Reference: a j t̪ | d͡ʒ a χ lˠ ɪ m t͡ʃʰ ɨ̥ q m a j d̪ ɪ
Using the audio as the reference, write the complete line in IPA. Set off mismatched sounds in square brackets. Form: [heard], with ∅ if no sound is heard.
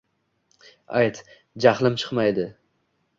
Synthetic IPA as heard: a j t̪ | d͡ʒ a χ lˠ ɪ m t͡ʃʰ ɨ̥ q m a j d̪ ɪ